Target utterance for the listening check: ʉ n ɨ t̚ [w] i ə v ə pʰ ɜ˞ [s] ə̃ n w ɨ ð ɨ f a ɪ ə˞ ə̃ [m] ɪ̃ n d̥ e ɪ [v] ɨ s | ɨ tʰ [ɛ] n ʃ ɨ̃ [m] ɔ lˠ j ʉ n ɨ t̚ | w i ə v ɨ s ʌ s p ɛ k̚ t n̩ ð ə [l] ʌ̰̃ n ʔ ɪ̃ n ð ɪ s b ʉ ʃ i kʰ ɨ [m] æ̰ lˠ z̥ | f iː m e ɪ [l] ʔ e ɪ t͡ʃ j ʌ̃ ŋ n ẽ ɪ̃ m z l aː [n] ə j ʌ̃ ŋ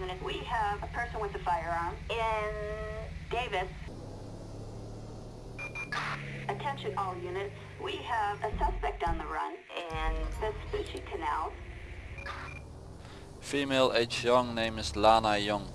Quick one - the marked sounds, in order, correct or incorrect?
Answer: correct, correct, incorrect: n, correct, incorrect: ɛ̃, incorrect: n, incorrect: ɹ, incorrect: n, correct, correct

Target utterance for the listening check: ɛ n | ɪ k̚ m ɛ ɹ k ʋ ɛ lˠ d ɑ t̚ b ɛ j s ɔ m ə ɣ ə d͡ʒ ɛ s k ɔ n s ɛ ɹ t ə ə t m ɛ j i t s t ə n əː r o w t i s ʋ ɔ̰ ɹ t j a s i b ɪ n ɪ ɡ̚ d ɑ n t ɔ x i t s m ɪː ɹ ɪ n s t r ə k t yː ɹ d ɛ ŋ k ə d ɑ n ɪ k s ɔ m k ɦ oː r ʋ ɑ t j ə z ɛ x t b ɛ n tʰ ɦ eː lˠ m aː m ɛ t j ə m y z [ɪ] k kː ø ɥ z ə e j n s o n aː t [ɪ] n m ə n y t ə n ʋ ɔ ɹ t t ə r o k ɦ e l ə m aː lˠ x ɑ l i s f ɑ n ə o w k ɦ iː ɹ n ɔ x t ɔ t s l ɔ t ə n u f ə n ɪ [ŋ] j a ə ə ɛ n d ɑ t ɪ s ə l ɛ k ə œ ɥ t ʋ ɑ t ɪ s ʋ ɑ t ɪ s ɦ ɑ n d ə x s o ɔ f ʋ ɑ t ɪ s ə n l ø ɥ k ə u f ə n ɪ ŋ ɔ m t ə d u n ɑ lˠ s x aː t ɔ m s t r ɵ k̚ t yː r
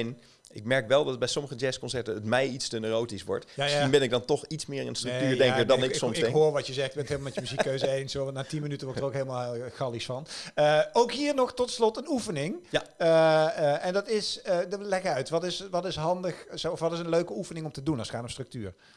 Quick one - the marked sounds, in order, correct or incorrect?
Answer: incorrect: i, incorrect: i, correct

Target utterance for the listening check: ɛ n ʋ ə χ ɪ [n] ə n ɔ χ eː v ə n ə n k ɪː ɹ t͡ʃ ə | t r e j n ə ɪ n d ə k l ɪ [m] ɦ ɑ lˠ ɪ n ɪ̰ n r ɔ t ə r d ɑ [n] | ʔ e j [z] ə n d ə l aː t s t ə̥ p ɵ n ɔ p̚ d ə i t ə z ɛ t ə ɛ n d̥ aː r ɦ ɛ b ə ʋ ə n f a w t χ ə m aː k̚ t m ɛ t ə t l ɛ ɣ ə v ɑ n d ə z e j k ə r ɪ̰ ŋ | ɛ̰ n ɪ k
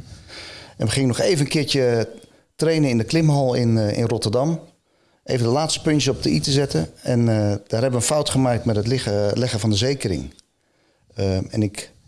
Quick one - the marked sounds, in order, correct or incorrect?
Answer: incorrect: ŋ, correct, incorrect: m, incorrect: v

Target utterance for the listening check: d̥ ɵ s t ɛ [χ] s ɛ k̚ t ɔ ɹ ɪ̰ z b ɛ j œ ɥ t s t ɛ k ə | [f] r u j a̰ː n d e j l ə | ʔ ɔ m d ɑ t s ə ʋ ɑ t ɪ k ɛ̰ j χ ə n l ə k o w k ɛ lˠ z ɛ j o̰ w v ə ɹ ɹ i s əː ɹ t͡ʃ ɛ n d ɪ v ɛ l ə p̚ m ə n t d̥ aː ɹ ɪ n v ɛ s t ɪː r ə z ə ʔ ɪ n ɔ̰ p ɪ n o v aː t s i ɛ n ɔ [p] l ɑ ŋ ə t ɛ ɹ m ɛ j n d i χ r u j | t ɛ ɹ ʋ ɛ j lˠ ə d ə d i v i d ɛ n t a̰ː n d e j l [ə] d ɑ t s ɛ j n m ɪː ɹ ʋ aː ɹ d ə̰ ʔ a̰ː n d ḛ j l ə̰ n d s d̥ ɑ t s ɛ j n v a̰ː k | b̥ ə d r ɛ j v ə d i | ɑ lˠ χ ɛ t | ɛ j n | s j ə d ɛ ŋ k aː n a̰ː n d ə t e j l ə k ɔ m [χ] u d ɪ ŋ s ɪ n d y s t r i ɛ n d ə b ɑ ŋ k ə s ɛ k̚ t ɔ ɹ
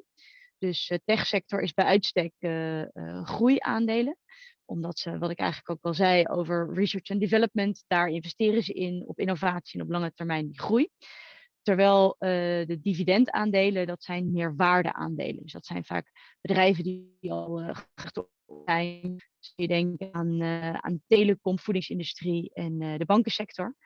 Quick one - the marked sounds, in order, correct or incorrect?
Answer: correct, incorrect: χ, correct, correct, incorrect: f

